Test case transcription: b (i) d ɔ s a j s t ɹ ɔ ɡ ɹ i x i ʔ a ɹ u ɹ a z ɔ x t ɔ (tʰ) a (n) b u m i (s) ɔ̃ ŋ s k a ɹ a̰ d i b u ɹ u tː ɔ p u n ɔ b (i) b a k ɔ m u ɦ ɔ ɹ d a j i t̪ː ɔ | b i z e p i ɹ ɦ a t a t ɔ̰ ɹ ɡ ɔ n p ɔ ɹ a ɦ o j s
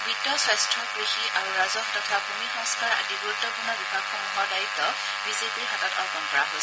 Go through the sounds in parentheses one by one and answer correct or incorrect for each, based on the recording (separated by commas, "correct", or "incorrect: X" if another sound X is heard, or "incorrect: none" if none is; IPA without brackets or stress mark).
correct, correct, incorrect: none, incorrect: x, correct